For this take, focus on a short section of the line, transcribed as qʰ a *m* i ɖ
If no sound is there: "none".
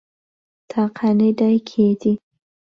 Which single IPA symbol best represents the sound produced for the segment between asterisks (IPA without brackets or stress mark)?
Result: n